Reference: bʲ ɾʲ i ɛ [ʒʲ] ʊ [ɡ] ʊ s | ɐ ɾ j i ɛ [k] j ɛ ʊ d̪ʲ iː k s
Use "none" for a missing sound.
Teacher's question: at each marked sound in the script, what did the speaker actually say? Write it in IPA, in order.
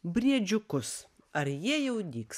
d͡ʒʲ, k, none

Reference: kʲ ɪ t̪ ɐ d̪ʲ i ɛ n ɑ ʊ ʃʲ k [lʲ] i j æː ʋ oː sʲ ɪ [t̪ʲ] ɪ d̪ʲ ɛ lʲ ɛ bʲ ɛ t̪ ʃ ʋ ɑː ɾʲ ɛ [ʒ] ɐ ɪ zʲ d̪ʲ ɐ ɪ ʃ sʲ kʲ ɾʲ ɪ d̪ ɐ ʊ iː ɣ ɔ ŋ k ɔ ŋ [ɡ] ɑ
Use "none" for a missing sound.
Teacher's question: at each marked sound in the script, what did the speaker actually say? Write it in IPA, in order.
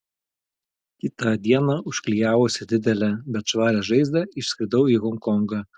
lʲ, d̪ʲ, ʒ, ɡ

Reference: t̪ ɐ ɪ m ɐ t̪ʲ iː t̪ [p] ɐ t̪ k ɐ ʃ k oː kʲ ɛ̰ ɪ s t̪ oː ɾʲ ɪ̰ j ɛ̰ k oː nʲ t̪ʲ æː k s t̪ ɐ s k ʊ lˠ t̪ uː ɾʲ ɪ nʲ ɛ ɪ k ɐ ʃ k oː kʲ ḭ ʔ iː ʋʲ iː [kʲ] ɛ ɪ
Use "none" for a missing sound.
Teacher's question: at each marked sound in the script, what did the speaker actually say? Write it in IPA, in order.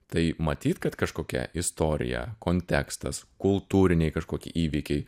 k, kʲ

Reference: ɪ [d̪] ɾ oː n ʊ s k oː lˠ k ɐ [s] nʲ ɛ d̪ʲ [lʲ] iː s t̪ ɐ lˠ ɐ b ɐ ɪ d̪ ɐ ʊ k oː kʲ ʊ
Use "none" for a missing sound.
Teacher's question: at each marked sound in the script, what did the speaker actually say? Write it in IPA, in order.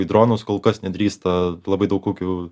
d̪, s, ɾʲ

